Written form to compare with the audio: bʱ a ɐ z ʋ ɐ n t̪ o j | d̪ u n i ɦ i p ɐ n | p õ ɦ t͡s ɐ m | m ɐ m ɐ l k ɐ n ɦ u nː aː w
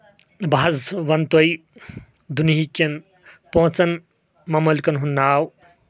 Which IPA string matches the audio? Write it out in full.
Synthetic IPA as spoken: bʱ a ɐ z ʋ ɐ n t̪ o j | d̪ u n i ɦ i k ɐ n | p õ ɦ t͡s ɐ n | m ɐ m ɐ l k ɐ n ɦ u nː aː w